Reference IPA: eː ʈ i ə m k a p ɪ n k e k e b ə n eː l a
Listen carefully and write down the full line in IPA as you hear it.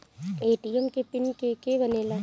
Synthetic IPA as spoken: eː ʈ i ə m k e p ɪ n k e k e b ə n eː l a